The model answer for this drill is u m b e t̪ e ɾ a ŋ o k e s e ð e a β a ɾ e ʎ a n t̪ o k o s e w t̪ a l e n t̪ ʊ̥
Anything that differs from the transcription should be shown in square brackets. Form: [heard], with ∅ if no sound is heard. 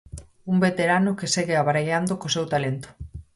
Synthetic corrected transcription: u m b e t̪ e ɾ a [n] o k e s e [ɣ] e a β a ɾ e ʎ a n [d̪] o k o s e w t̪ a l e n t̪ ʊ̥